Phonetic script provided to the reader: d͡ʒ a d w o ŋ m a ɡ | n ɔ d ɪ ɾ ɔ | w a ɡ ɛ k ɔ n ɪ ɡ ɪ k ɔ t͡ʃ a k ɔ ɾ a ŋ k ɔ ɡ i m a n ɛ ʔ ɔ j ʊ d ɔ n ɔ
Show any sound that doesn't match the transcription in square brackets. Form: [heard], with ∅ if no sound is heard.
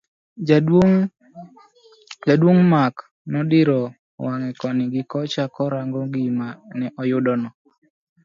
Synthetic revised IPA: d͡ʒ a d w o ŋ m a [k] | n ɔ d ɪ ɾ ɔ | w a [ŋ] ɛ k ɔ n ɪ ɡ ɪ k ɔ t͡ʃ a k ɔ ɾ a ŋ [ɡ] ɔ ɡ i m a n ɛ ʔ ɔ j ʊ d ɔ n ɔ